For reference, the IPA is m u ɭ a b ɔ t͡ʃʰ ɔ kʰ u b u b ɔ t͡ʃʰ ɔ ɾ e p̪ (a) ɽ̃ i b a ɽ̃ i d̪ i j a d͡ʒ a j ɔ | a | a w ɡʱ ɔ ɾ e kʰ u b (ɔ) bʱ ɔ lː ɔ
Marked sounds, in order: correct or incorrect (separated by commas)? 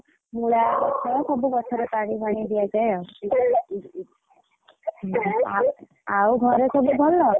correct, incorrect